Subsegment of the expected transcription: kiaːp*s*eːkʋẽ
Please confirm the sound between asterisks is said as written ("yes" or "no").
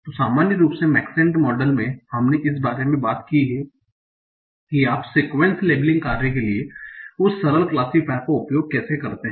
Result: yes